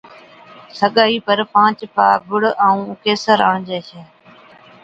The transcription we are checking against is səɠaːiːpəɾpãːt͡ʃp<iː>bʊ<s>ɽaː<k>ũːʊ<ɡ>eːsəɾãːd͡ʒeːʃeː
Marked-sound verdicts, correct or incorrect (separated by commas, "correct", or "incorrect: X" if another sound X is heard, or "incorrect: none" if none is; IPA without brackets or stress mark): incorrect: aː, incorrect: none, incorrect: none, incorrect: k